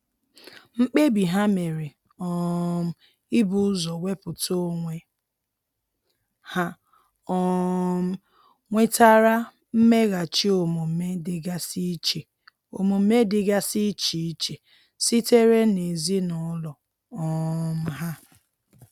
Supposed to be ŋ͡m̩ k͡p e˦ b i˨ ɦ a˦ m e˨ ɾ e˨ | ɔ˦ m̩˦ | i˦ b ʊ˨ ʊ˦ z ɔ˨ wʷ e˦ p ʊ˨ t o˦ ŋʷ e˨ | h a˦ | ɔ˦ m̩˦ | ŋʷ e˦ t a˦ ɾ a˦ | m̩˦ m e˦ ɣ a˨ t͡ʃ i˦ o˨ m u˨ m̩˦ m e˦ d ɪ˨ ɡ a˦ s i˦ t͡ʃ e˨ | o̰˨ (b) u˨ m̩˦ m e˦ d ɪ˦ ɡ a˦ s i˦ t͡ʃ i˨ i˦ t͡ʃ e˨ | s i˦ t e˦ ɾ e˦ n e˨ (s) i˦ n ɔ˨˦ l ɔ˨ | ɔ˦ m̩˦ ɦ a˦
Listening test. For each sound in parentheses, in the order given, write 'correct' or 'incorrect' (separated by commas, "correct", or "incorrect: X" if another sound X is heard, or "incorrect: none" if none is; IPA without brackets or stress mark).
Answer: incorrect: m, incorrect: z